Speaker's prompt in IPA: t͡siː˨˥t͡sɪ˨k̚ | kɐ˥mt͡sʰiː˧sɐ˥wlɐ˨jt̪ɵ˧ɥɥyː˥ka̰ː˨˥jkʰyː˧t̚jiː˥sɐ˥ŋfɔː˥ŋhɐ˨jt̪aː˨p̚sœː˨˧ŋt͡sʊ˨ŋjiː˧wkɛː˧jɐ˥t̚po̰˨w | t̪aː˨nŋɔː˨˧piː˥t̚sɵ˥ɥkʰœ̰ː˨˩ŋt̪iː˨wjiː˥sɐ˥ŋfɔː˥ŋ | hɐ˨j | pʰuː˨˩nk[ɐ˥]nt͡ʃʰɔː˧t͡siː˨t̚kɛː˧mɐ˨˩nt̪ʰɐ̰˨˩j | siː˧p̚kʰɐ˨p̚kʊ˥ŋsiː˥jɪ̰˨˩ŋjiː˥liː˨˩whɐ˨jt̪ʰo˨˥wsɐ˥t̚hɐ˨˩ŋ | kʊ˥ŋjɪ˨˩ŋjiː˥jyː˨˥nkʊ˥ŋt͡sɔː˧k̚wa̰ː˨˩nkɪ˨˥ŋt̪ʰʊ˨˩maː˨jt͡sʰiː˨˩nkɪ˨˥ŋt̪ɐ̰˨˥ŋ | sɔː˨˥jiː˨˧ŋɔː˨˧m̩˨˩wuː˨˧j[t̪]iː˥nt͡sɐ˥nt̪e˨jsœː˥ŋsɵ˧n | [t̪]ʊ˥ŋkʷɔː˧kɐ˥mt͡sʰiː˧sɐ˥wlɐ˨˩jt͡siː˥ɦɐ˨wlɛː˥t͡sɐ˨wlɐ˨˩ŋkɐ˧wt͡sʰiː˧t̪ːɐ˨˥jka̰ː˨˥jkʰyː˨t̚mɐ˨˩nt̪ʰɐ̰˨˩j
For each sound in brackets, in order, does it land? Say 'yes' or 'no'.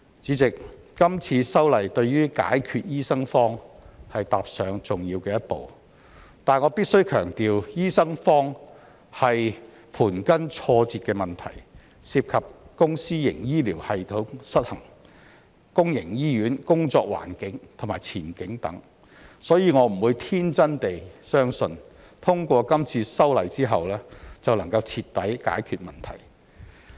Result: yes, no, no

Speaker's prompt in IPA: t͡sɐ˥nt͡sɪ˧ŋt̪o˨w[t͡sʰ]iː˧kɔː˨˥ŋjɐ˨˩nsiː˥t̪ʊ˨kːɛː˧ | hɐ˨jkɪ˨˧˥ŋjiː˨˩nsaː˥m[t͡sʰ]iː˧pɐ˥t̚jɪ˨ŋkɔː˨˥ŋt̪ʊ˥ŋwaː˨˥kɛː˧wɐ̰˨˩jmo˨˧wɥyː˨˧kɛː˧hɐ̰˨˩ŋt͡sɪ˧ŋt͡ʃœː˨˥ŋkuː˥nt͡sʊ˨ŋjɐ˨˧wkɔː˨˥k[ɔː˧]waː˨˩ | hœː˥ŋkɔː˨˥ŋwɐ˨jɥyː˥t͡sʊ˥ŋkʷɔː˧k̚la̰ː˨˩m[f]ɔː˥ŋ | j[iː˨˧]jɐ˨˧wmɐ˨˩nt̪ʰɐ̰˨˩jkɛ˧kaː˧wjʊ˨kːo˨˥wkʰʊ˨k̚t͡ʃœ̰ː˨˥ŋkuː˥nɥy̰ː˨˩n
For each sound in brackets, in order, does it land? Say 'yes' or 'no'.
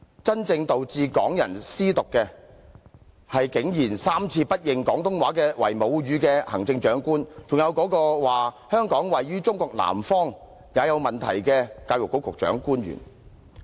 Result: no, yes, yes, yes, no

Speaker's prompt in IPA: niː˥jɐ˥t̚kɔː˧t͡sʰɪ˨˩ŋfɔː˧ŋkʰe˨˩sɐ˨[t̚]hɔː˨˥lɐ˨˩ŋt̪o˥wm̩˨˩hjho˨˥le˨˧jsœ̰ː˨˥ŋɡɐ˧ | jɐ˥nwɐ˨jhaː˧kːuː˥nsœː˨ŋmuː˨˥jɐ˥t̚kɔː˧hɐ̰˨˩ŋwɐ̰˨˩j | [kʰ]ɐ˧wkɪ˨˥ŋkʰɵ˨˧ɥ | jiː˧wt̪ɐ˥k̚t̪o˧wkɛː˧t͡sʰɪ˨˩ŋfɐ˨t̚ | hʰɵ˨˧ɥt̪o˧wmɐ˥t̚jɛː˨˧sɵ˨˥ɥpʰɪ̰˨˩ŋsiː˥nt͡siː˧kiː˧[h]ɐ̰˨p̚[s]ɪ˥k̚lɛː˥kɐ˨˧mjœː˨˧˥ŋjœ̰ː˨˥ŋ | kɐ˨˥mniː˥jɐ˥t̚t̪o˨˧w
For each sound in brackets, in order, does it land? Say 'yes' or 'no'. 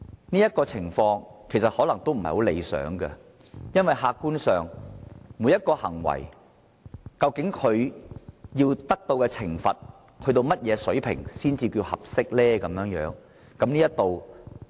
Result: yes, no, yes, yes

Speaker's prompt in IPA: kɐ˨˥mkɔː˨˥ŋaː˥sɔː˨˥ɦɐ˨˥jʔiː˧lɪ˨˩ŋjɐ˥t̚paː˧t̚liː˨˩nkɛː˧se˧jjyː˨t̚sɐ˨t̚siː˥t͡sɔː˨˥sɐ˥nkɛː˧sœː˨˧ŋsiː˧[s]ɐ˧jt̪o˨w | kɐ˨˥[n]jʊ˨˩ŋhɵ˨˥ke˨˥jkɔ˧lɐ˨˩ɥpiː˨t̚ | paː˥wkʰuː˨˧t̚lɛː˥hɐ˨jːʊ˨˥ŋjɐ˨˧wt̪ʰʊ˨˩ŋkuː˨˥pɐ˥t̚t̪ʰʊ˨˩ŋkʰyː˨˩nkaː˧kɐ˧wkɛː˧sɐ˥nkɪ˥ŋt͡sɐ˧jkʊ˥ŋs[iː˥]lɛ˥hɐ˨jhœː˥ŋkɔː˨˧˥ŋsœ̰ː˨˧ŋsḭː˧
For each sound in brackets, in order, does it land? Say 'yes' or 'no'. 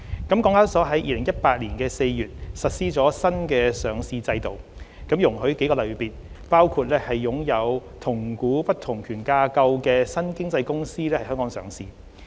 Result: no, no, yes

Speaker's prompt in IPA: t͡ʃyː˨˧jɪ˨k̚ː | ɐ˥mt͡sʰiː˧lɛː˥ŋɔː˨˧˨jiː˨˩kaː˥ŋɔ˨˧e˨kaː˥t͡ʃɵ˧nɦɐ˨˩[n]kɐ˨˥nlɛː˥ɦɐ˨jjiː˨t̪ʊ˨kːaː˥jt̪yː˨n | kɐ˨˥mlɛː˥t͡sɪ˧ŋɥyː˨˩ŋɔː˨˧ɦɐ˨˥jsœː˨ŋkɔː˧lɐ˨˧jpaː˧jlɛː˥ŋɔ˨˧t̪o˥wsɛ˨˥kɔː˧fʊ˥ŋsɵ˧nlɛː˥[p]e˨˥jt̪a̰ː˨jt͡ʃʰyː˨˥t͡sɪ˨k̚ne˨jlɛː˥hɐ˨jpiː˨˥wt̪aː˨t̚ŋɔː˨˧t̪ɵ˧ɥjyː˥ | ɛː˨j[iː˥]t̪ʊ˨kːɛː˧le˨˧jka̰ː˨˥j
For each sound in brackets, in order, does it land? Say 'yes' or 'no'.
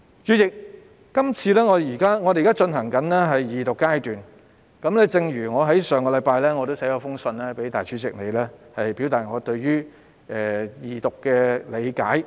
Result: no, yes, no

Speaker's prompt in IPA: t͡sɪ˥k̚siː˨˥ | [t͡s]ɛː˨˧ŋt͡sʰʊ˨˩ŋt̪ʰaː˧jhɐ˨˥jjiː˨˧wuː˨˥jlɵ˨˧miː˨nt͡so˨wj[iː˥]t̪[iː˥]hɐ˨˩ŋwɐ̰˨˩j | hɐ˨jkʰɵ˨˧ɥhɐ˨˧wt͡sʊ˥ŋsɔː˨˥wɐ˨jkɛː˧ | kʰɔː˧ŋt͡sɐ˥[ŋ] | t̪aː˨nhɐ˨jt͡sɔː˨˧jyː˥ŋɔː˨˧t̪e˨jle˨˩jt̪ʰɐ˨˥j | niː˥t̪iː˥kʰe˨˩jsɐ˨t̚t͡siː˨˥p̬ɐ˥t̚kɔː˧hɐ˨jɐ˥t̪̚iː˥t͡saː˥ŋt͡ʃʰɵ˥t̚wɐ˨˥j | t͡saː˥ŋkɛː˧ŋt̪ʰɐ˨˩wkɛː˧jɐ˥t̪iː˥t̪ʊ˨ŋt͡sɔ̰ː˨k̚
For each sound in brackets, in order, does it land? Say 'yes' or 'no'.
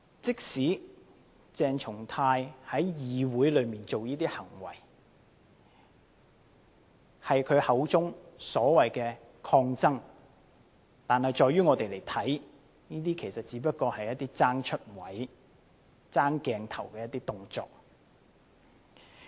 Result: yes, yes, yes, yes

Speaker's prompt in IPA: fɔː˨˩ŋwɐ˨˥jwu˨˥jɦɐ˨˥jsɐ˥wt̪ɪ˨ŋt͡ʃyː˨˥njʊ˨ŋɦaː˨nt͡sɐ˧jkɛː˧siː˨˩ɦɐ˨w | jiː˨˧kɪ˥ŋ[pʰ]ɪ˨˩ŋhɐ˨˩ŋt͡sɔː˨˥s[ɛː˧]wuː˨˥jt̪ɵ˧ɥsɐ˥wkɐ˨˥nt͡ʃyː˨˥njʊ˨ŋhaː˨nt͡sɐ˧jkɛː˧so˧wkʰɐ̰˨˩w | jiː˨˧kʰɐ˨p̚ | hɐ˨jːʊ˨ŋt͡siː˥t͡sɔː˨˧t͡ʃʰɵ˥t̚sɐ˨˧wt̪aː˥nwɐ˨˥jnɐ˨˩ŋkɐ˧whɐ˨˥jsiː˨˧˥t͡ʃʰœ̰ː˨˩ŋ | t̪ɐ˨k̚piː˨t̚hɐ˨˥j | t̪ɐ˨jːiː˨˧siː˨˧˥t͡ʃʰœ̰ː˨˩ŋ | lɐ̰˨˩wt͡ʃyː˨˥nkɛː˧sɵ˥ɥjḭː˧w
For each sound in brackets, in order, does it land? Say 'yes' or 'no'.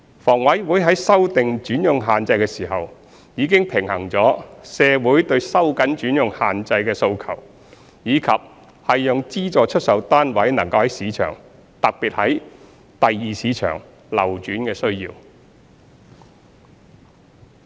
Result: yes, yes

